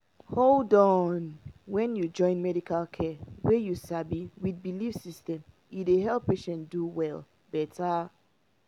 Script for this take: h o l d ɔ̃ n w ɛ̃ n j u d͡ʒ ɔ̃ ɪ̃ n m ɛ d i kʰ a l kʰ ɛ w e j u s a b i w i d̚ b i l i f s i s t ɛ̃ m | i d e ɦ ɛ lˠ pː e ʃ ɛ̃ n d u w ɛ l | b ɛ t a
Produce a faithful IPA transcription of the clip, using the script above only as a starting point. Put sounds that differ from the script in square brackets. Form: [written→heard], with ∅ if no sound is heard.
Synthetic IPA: h o l d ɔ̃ n w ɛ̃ n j u d͡ʒ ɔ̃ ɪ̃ n m ɛ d i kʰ a l kʰ ɛ w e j u s a b i w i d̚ b i l i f s i s t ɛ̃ m | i d e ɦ ɛ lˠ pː e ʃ ɛ̃ n d u w ɛ l | b ɛ t a

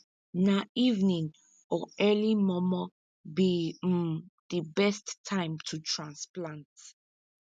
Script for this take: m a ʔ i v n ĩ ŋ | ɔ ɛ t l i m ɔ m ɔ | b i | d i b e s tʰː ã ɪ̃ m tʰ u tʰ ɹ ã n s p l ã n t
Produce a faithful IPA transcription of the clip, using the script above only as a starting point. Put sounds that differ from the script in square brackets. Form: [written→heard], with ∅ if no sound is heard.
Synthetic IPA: [m→n] a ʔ i v n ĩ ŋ | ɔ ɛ [t→∅] l i m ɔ m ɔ | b i | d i b [e→ɛ] s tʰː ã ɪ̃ m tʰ u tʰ ɹ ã n s p l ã n t

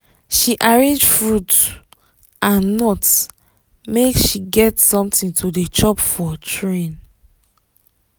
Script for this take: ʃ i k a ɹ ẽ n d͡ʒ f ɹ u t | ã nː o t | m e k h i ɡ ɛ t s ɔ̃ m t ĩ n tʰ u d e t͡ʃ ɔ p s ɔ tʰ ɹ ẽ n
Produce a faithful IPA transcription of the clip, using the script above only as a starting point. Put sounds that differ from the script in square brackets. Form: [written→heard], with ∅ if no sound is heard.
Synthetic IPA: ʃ i [k→ʔ] a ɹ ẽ n d͡ʒ f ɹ u t | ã nː [o→ɔ] t | m e k [h→ʃ] i ɡ ɛ t s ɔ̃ m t ĩ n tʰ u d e t͡ʃ ɔ p [s→f] ɔ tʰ ɹ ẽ n

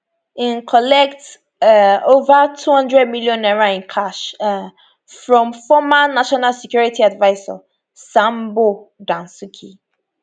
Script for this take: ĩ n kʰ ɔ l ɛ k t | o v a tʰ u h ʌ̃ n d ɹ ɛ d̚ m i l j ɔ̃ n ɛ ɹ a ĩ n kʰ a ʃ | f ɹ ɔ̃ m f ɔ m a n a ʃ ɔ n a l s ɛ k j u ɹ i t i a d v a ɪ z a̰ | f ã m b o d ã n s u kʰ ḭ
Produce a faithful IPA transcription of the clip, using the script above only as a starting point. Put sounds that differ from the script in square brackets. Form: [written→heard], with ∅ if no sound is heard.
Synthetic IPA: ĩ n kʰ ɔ l ɛ k t | o v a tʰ u h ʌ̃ n d ɹ ɛ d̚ m i l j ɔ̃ n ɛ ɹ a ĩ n kʰ a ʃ | f ɹ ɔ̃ m f ɔ m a n a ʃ ɔ n a l s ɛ k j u ɹ i t i a d v a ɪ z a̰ | [f→s] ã m b o d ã n s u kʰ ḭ

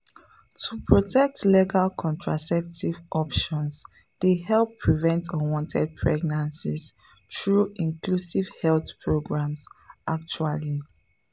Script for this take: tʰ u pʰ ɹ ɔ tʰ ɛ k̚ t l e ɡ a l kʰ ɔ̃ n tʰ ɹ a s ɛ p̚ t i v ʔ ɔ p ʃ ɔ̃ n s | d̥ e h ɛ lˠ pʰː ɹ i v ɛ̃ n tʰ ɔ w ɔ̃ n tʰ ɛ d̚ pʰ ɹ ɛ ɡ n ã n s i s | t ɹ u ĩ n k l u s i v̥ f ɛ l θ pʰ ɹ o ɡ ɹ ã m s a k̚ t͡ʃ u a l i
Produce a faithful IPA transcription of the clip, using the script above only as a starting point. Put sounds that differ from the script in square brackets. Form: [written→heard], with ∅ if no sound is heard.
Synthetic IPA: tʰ u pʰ ɹ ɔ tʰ ɛ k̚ t l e ɡ a l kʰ ɔ̃ n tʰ ɹ a s ɛ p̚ t i v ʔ ɔ p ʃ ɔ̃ n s | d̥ e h ɛ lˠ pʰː ɹ i v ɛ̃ n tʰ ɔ w ɔ̃ n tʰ ɛ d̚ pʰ ɹ ɛ ɡ n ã n s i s | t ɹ u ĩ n k l u s i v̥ [f→h] ɛ l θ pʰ ɹ o ɡ ɹ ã m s a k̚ t͡ʃ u a l i

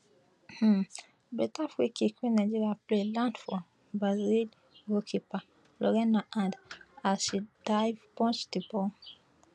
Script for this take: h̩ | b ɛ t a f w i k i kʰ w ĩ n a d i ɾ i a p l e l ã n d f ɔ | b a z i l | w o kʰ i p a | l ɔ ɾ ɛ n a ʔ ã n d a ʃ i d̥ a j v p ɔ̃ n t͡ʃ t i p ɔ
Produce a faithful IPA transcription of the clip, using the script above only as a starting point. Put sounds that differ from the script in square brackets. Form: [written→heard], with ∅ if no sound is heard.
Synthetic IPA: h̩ | b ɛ t a f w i k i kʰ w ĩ n a [d→d͡ʒ] i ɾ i a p l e l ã n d f ɔ | b a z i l | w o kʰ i p a | l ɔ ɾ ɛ n a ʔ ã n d a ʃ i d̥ a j v p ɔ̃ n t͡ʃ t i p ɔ

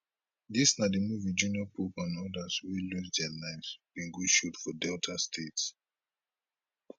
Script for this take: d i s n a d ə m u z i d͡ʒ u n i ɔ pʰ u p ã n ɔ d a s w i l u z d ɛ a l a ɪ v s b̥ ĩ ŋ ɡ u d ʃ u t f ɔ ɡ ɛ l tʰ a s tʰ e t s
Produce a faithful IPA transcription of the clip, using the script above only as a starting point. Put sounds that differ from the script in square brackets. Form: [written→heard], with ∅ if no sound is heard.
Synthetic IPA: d i s n a d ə m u [z→v] i d͡ʒ u n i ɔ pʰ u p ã n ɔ d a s w i l u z d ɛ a l a ɪ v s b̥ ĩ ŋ ɡ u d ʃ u t f ɔ [ɡ→d] ɛ l tʰ a s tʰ e t s

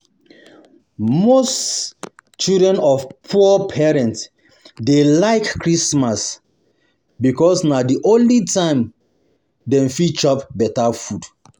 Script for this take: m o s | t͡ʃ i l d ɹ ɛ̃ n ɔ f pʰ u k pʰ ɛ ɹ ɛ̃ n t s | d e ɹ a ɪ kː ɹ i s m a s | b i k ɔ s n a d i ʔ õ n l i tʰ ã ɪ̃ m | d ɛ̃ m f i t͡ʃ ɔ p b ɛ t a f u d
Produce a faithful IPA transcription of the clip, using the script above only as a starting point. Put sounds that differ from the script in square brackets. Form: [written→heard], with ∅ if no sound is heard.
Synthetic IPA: m o s | t͡ʃ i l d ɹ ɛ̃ n ɔ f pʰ u [k→∅] pʰ ɛ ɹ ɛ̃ n t s | d e [ɹ→l] a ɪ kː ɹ i s m a s | b i k ɔ s n a d i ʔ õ n l i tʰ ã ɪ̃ m | d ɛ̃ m f i t͡ʃ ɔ p b ɛ t a f u d

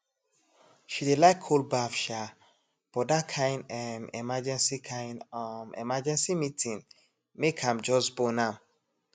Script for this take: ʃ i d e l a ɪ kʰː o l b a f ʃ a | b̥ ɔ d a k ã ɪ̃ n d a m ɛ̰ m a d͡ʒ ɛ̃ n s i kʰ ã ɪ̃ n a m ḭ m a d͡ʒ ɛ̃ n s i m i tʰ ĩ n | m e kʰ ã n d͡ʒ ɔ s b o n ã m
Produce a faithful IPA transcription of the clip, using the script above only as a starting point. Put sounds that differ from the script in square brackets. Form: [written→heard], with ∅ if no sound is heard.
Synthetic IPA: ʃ i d e l a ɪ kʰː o l b a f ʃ a | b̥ ɔ d a [k→kʰ] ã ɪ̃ n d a m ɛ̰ m a d͡ʒ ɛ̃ n s i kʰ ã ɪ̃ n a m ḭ m a d͡ʒ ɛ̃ n s i m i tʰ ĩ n | m e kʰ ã [n→m] d͡ʒ ɔ s b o n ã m

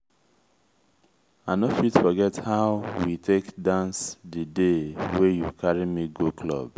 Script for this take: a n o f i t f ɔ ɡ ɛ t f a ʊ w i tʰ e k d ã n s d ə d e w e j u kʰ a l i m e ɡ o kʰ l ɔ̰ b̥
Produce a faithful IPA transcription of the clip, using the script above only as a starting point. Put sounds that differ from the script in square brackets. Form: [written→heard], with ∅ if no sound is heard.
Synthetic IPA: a n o f i t f ɔ ɡ ɛ t [f→h] a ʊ w i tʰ e k d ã n s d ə d e w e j u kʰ a [l→ɹ] i m [e→i] ɡ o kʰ l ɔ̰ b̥

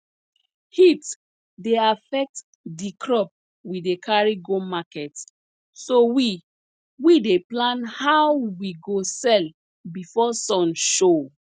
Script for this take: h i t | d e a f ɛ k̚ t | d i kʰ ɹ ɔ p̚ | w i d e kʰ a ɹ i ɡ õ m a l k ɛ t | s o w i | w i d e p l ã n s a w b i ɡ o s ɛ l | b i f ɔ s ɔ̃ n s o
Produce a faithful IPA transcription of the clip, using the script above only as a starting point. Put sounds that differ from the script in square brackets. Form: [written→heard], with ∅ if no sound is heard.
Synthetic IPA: h i t | d e a f ɛ k̚ t | d i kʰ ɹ ɔ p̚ | w i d e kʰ a ɹ i ɡ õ m a [l→∅] k ɛ t | s o w i | w i d e p l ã n [s→h] a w [b→w] i ɡ o s ɛ l | b i f ɔ s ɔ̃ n [s→ʃ] o

